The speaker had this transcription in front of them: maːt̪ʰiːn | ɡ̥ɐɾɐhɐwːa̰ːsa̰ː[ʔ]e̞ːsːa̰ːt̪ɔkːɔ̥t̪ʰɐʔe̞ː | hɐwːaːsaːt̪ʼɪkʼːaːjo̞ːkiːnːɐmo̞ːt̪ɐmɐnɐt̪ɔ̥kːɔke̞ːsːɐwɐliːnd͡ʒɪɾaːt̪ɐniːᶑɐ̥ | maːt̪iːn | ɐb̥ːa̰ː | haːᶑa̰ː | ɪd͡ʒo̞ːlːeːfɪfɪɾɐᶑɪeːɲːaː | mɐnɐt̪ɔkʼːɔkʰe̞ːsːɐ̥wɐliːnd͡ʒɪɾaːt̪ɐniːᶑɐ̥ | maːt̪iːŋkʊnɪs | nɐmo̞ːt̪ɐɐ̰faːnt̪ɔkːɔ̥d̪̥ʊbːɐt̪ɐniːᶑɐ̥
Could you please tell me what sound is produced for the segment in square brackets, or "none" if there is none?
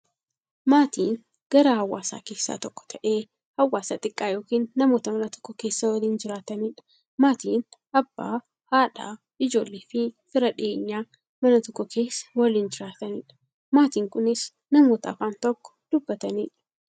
k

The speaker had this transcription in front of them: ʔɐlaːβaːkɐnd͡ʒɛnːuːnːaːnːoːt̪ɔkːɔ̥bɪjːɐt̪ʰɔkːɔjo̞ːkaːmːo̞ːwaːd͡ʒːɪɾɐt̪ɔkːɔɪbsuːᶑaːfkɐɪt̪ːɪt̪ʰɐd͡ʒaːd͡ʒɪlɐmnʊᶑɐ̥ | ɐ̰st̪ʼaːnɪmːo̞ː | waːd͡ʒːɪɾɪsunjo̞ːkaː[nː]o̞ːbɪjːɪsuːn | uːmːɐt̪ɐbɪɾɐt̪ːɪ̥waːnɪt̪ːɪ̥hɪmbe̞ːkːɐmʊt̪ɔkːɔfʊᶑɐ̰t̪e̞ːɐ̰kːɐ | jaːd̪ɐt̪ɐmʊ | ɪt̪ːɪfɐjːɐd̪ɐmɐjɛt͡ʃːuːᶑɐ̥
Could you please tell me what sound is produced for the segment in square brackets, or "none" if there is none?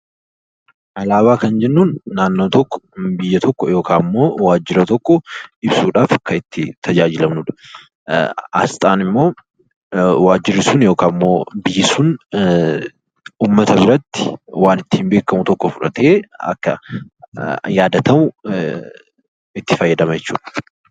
mː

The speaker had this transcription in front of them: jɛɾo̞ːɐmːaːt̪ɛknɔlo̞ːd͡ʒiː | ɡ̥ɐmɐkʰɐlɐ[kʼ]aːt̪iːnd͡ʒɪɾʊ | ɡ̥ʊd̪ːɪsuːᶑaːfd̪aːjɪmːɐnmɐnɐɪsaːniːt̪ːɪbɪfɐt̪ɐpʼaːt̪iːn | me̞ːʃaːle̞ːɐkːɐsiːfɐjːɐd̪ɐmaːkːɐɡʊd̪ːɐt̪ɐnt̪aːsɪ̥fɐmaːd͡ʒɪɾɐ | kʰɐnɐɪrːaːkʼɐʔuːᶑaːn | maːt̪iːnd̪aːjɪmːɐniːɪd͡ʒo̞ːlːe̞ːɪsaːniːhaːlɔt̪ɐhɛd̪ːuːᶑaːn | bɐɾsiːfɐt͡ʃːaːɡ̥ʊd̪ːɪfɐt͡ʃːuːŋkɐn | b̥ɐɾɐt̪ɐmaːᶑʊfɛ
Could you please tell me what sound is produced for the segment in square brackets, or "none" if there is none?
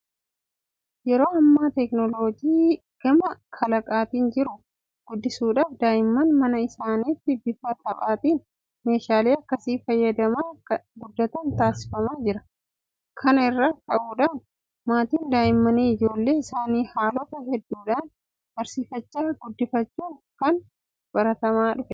kʼ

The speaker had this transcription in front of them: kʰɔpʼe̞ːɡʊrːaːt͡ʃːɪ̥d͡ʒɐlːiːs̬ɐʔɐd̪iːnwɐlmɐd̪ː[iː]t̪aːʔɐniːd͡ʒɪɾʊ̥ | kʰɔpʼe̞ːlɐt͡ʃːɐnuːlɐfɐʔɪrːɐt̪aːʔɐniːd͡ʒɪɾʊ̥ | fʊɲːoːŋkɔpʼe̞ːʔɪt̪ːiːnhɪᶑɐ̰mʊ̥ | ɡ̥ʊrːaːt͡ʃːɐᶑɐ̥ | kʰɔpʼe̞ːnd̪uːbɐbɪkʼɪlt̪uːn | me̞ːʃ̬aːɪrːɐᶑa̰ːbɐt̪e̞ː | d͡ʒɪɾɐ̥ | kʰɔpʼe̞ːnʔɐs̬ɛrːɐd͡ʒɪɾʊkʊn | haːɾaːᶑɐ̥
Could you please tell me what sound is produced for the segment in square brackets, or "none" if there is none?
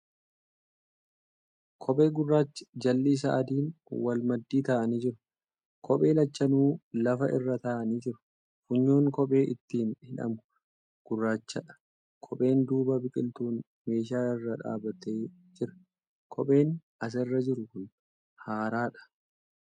iː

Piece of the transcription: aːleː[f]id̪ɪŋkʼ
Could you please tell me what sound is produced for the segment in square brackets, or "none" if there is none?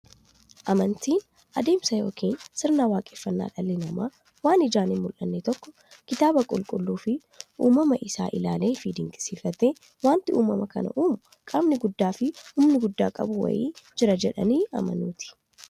f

